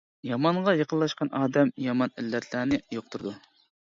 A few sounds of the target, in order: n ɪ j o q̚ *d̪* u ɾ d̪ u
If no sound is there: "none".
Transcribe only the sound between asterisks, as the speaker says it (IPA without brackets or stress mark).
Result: t̪